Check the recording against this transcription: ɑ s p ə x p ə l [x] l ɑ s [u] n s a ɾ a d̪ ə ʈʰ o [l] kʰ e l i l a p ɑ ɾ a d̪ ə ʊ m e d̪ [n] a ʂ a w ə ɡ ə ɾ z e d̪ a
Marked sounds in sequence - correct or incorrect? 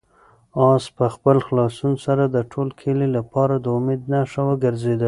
correct, correct, correct, correct

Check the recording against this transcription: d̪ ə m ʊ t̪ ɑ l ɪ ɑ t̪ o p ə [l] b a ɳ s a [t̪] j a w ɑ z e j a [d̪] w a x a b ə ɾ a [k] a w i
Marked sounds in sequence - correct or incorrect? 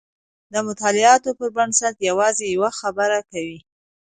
incorrect, correct, incorrect, correct

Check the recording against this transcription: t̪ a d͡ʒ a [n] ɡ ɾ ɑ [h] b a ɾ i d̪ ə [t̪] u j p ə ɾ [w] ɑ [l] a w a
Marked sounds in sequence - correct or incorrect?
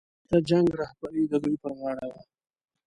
incorrect, correct, incorrect, incorrect, incorrect

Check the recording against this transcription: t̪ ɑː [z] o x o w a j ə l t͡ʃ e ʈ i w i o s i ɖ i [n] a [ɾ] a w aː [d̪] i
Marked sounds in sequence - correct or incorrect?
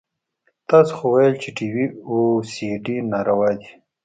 incorrect, correct, correct, correct

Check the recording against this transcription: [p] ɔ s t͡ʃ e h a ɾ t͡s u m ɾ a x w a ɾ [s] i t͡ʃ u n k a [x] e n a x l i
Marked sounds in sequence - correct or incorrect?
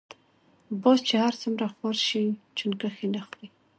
incorrect, incorrect, correct

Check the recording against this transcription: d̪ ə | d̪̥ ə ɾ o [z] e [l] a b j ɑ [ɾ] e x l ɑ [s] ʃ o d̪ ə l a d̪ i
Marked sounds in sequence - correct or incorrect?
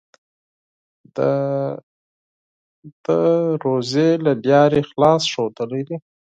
correct, correct, correct, correct

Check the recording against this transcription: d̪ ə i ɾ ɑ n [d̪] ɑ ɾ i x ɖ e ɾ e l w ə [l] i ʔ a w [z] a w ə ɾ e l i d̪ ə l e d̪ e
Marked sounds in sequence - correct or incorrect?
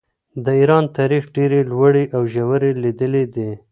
incorrect, incorrect, incorrect

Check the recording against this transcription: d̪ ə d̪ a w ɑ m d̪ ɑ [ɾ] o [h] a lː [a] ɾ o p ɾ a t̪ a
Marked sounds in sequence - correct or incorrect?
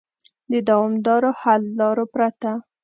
correct, correct, incorrect

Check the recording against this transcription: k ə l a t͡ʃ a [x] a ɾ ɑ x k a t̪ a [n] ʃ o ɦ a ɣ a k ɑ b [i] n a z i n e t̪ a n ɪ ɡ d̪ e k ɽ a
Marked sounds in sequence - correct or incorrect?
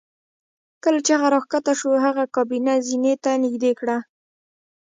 incorrect, incorrect, correct

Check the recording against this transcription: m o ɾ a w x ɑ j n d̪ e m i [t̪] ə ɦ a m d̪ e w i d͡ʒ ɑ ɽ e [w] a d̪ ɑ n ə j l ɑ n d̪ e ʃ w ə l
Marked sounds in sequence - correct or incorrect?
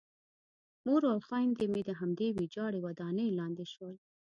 incorrect, correct

